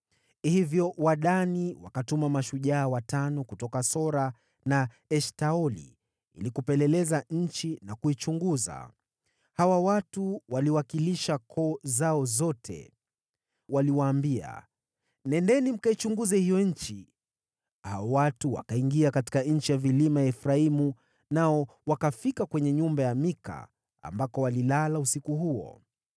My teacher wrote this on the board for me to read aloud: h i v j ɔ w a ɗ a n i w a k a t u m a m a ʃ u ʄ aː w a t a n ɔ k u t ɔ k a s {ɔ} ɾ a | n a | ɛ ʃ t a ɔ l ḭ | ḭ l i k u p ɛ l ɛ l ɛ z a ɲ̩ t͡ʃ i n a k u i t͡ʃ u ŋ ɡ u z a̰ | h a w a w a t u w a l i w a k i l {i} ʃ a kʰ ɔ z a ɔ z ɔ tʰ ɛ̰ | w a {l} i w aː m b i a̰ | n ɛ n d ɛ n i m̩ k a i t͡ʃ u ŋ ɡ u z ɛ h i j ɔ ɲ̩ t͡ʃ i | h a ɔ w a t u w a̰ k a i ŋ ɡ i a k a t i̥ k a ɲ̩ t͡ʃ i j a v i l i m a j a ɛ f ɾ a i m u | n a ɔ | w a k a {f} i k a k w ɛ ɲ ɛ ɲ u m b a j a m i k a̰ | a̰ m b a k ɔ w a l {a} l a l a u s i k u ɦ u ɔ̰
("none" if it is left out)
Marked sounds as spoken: ɔ, i, l, f, i

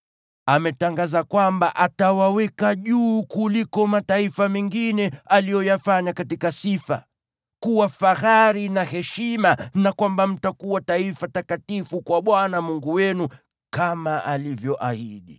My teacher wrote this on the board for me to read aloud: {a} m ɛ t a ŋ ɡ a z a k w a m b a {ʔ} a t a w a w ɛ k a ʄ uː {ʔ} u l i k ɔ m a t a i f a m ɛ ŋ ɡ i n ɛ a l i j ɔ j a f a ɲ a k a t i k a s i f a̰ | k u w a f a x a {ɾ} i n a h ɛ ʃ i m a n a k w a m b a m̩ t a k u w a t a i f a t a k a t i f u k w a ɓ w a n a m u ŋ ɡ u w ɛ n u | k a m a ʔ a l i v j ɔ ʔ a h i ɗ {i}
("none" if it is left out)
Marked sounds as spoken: a, ʔ, k, ɾ, i

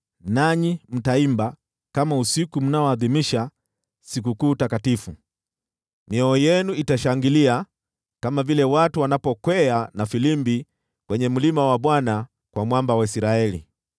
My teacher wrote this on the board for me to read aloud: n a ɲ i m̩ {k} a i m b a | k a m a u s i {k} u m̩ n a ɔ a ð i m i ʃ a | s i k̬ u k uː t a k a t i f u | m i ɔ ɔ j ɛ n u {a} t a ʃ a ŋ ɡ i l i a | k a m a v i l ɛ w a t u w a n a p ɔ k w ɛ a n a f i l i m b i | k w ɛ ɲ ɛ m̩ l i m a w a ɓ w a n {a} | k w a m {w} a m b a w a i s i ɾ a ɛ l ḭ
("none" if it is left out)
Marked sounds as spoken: t, k, i, a, w

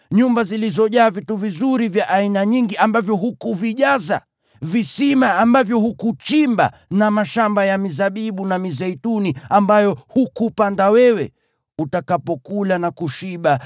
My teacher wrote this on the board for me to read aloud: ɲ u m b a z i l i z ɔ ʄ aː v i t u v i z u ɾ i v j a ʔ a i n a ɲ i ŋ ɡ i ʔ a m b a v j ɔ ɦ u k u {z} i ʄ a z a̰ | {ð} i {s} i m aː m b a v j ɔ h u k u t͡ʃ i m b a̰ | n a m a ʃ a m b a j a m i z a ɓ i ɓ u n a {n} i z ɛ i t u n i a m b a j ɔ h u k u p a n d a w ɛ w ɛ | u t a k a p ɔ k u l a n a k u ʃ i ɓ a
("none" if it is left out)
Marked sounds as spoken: v, v, s, m

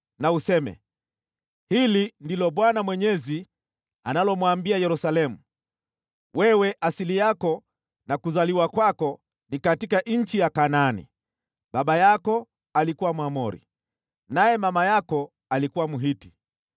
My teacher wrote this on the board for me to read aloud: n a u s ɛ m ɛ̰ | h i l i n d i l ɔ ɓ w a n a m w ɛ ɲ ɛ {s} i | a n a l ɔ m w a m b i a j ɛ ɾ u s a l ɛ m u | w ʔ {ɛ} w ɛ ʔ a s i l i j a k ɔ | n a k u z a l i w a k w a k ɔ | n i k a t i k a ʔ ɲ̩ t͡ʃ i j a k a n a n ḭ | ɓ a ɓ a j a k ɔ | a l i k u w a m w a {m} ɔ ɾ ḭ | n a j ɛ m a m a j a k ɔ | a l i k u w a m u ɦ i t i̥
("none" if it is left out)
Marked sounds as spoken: z, ɛ, m

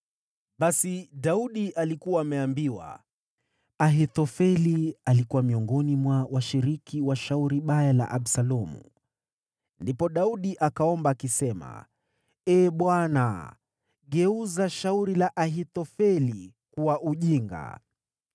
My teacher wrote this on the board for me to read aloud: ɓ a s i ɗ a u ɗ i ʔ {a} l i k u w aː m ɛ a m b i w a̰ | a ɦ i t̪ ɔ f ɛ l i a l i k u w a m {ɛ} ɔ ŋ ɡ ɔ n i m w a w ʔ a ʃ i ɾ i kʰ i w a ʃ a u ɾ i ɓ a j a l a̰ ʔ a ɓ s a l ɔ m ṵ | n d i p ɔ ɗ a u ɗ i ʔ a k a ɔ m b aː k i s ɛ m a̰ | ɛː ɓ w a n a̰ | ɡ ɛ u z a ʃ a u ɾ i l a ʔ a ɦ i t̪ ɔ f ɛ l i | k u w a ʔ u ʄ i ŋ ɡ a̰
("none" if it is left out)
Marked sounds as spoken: a, i

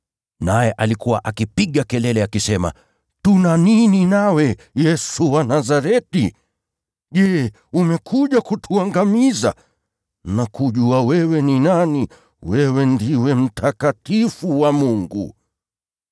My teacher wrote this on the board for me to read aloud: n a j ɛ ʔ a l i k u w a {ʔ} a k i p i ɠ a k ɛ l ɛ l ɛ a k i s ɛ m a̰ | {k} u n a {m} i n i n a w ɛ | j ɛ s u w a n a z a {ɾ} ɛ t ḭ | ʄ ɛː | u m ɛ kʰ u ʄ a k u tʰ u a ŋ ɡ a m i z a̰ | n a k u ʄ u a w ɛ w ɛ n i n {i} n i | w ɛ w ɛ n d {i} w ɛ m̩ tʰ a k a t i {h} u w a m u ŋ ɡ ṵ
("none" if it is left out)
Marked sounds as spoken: ʔ, t, n, ɾ, a, i, f

